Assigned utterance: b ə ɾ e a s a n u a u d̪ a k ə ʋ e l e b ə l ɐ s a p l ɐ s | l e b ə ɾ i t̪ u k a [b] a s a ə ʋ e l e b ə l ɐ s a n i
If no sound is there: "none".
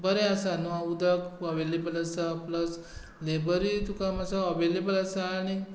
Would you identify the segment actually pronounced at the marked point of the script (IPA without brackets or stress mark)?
m